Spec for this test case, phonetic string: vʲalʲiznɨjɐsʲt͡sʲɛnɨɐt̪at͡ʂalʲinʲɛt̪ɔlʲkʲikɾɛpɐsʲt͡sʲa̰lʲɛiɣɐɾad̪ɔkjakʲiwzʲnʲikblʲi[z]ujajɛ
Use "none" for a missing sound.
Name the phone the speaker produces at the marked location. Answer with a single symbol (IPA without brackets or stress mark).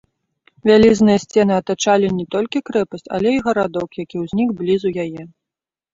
z